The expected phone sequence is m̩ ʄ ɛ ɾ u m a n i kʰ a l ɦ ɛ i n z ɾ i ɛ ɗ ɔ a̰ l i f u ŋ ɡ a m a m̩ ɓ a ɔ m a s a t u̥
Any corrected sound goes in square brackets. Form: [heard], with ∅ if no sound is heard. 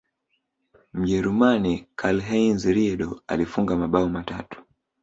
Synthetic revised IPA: m̩ ʄ ɛ ɾ u m a n i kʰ a l ɦ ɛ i n z ɾ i ɛ ɗ ɔ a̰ l i f u ŋ ɡ a m a [∅] ɓ a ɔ m a [t] a t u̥